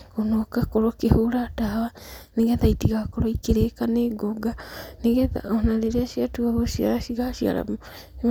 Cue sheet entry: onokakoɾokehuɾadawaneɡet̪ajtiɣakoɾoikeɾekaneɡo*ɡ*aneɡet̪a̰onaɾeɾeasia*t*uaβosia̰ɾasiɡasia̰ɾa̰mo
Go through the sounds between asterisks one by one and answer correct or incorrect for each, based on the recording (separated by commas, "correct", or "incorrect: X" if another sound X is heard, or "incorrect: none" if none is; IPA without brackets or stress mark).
correct, correct